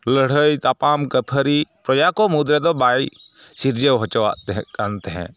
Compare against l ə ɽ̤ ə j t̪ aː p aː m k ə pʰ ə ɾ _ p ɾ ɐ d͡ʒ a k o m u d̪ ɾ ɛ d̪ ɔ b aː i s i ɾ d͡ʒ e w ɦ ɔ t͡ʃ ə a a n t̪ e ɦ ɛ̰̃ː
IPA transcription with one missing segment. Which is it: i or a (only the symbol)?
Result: i